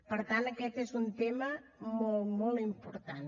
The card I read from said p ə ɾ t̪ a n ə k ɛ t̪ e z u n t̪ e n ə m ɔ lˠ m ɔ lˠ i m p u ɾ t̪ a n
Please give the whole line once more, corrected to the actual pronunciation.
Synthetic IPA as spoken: p ə ɾ t̪ a n ə k ɛ t̪ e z u n t̪ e m ə m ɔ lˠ m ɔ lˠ i m p u ɾ t̪ a n